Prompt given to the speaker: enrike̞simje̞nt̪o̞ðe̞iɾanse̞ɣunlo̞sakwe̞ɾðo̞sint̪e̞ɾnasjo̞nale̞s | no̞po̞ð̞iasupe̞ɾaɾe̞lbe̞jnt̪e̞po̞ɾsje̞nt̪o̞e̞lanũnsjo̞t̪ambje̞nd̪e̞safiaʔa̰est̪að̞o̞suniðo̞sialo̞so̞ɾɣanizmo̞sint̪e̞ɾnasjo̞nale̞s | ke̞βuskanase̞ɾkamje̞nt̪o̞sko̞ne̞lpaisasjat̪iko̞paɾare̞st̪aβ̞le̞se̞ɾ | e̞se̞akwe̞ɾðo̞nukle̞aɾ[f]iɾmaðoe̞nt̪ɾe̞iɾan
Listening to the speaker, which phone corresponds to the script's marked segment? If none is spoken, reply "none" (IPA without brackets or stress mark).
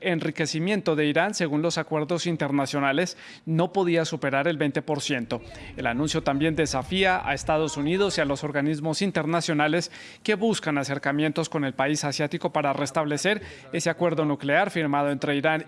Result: f